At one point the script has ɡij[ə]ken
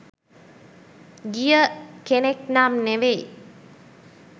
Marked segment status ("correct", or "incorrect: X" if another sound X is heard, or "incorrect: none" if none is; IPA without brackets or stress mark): correct